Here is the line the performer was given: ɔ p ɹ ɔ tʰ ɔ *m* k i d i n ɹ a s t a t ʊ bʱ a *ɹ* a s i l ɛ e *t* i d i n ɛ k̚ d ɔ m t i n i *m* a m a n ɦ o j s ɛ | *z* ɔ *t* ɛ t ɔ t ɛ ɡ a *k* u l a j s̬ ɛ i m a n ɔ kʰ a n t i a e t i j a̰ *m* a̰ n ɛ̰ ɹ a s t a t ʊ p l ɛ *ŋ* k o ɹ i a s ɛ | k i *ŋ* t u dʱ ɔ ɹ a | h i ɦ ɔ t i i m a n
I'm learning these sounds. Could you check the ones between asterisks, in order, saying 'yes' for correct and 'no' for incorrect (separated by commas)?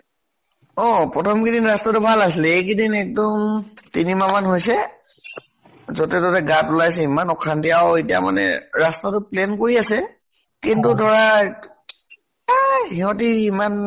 yes, no, no, yes, yes, yes, no, yes, no, no